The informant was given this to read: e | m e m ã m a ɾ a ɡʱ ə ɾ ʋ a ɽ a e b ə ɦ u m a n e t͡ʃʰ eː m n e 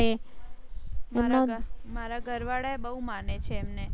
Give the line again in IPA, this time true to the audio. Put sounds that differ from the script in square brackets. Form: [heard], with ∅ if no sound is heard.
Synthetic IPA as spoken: e | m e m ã m a ɾ a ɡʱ ə ɾ ʋ a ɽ a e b ə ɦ u m a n e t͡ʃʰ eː m n e